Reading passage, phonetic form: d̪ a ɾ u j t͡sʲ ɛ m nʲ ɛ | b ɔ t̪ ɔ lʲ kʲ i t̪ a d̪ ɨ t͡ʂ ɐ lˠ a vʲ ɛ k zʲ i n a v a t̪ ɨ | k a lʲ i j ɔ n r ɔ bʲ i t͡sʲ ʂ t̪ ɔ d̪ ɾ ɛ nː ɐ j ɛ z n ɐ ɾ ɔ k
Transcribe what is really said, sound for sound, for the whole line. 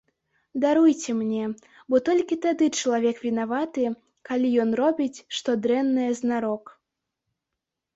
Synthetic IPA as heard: d̪ a ɾ u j t͡sʲ ɛ m nʲ ɛ | b ɔ t̪ ɔ lʲ kʲ i t̪ a d̪ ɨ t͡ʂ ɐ lˠ a vʲ ɛ k vʲ i n a v a t̪ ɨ | k a lʲ i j ɔ n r ɔ bʲ i t͡sʲ ʂ t̪ ɔ d̪ ɾ ɛ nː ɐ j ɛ z n a ɾ ɔ k